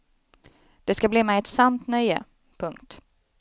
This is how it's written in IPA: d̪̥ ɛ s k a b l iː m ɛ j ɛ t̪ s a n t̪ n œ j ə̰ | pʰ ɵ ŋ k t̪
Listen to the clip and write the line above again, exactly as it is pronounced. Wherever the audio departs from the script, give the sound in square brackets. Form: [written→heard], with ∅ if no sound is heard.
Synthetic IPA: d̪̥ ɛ s k a b l iː m ɛ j ɛ t̪ s a n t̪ n œ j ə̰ | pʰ ɵ ŋ k t̪